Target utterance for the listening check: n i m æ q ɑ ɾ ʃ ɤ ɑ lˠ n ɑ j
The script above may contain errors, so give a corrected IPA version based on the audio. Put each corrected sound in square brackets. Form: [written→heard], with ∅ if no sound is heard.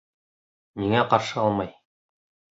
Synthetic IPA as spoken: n i [m→ŋ] æ q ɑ ɾ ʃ ɤ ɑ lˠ [n→m] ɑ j